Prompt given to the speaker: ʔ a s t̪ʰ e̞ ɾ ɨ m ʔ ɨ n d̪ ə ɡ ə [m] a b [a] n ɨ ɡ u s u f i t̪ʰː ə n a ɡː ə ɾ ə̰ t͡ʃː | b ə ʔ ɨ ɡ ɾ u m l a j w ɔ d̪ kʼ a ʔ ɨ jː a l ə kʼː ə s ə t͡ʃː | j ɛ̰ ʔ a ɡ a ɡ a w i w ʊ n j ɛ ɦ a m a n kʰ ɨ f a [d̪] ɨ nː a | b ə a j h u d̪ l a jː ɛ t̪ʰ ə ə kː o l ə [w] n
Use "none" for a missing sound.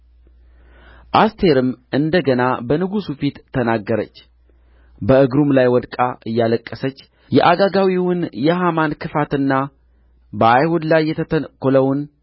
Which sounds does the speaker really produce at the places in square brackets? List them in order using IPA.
n, ə, t̪, w

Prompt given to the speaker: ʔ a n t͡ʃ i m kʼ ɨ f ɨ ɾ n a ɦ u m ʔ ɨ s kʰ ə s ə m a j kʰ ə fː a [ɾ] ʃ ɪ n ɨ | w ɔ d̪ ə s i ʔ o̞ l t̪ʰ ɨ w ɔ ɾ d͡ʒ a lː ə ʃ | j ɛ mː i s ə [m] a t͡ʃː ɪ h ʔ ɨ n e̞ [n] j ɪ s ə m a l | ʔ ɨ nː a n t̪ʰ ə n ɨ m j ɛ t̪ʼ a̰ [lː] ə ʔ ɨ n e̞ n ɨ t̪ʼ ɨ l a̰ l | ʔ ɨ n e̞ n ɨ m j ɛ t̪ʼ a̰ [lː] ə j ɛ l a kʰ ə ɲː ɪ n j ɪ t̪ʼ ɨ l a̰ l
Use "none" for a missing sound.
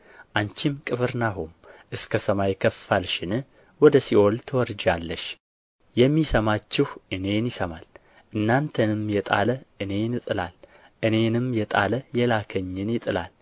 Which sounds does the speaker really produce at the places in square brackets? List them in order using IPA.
l, m, n, l, l

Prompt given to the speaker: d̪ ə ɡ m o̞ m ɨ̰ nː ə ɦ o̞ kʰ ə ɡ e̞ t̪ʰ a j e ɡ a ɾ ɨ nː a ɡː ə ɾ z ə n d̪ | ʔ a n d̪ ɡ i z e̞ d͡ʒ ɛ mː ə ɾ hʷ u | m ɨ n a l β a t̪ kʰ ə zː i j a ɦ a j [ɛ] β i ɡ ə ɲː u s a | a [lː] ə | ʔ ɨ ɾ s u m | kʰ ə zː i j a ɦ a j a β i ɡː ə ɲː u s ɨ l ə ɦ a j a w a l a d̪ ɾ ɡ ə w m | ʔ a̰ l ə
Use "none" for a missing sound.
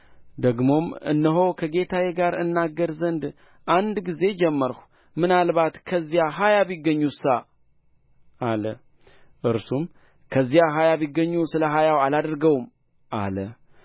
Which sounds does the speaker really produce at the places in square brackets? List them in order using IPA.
a, l

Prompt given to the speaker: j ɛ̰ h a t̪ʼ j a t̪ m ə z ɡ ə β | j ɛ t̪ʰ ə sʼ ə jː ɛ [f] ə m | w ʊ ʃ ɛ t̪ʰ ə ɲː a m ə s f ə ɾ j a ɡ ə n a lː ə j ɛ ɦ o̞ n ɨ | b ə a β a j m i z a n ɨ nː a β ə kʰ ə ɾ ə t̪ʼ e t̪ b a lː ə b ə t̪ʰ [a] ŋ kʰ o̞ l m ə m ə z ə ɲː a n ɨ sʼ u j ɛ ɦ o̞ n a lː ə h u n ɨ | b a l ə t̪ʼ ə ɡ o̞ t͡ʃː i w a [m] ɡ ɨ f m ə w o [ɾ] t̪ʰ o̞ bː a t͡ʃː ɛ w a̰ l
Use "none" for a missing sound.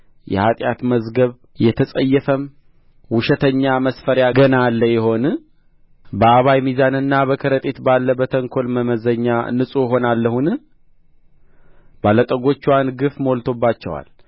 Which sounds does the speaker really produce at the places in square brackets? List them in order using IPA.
f, ə, n, l

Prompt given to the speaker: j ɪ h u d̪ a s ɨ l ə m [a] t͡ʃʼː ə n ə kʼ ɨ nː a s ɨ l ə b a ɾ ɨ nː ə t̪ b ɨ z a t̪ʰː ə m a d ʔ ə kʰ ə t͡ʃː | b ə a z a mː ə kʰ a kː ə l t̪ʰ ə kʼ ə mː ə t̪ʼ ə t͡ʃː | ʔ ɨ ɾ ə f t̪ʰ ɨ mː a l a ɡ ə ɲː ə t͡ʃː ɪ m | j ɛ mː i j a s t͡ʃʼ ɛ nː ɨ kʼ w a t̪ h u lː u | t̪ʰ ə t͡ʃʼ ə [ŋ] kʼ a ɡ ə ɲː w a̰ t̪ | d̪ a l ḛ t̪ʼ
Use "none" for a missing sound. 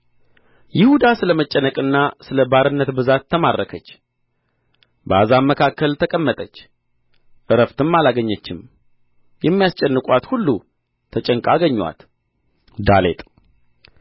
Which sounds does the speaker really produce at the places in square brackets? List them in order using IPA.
ə, ŋ

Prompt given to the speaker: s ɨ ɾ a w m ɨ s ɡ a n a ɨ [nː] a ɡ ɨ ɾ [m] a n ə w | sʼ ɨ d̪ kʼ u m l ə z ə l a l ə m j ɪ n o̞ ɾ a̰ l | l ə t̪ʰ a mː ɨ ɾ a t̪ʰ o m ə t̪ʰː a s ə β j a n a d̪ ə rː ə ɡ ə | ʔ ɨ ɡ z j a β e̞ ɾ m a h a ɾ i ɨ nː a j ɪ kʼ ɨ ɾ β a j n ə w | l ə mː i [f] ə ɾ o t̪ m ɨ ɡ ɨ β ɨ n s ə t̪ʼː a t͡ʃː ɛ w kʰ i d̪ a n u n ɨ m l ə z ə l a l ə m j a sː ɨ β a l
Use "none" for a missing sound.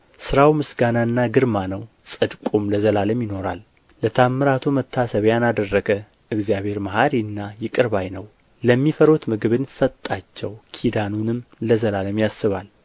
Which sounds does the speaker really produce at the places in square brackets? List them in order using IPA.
nː, m, f

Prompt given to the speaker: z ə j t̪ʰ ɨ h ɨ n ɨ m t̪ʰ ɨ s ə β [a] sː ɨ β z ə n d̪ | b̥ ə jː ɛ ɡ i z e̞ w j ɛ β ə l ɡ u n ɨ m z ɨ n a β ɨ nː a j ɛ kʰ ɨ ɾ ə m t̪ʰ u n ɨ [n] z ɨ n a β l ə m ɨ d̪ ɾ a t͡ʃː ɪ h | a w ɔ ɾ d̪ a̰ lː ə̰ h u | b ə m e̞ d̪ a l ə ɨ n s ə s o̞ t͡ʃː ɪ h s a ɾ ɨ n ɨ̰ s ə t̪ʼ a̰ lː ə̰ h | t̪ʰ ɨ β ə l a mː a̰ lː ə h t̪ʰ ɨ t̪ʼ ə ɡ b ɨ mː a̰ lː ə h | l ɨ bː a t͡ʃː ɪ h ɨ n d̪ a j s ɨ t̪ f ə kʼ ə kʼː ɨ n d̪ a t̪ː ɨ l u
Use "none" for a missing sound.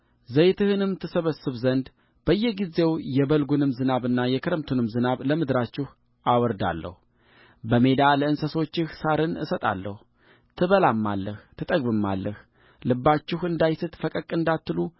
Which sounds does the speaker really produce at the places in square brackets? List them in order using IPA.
ə, m

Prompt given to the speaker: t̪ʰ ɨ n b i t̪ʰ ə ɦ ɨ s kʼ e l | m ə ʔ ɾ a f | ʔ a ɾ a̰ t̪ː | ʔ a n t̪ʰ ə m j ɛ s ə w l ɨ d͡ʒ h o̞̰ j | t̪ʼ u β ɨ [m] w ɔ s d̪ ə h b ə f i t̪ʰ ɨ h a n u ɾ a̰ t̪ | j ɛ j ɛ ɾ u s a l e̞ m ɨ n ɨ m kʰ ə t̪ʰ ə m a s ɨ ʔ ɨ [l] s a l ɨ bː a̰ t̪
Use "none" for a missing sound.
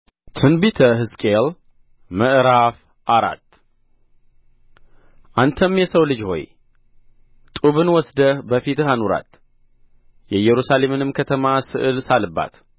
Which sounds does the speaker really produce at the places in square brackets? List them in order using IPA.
n, l

